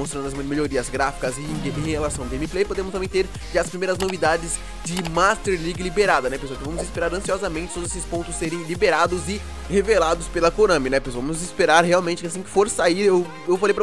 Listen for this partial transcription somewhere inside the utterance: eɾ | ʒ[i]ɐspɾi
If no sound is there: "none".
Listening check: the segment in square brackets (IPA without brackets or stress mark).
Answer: a